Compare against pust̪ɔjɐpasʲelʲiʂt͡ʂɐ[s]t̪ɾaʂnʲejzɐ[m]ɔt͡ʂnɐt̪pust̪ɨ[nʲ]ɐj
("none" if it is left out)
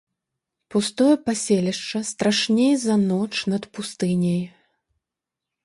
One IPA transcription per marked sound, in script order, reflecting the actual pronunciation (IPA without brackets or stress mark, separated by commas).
s, n, nʲ